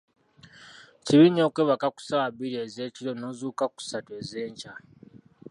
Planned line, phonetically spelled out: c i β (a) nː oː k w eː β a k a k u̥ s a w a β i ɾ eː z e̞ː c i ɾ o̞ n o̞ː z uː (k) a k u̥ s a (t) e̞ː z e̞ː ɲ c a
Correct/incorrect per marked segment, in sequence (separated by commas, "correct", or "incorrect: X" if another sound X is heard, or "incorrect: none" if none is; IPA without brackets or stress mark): incorrect: i, correct, correct